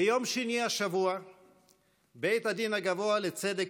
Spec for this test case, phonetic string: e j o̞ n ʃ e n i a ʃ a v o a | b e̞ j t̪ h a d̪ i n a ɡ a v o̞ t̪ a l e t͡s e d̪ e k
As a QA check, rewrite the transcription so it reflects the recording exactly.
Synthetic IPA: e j o̞ m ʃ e n i a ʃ a v u a | b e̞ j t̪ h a d̪ i n a ɡ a v o̞ a l e t͡s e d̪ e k